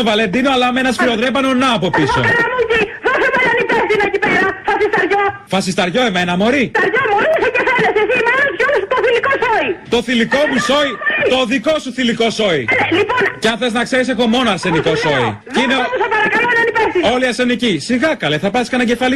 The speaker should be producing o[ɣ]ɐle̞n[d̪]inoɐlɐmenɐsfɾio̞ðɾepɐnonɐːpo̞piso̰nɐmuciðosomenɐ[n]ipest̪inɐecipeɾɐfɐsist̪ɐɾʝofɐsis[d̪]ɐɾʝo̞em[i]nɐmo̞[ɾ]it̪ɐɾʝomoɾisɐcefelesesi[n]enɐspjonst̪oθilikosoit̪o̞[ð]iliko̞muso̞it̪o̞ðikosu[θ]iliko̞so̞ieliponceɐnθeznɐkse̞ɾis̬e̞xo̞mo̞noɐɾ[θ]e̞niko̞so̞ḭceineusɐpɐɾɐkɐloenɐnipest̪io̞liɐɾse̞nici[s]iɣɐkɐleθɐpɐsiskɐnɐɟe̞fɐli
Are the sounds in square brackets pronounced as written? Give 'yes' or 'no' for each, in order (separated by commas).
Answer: no, yes, yes, no, no, yes, no, no, yes, no, yes